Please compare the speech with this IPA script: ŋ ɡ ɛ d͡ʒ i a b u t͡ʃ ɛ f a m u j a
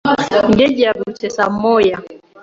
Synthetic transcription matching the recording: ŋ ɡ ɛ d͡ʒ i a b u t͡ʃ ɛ s a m ɔ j a